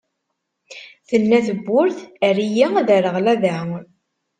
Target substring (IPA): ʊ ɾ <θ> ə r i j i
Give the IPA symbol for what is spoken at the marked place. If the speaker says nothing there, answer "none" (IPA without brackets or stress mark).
θ